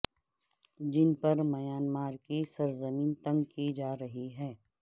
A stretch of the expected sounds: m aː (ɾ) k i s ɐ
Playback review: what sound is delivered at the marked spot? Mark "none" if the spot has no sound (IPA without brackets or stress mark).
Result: ɾ